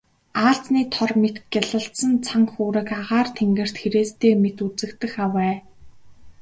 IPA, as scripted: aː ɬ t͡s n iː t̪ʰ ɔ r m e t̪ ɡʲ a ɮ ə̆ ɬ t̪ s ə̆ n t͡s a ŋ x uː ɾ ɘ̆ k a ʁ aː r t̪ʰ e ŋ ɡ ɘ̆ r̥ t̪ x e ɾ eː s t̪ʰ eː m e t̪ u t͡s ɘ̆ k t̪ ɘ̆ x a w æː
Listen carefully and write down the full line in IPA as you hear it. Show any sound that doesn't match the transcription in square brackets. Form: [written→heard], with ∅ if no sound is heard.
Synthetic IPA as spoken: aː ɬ t͡s n iː t̪ʰ ɔ r m e t̪ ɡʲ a ɮ ə̆ ɬ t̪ s ə̆ n [t͡s→t͡sʰ] a ŋ x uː ɾ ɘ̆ k a ʁ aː r t̪ʰ e ŋ ɡ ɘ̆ r̥ t̪ x e ɾ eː s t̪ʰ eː m e t̪ u t͡s ɘ̆ k t̪ ɘ̆ x a w æː